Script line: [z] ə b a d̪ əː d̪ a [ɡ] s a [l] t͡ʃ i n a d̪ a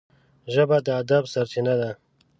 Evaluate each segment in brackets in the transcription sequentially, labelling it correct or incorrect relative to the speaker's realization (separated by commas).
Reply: incorrect, incorrect, incorrect